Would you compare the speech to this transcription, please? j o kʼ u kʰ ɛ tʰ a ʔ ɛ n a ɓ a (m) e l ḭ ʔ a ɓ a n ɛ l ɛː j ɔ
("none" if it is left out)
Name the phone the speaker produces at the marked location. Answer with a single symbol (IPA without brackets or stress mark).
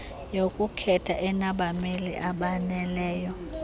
m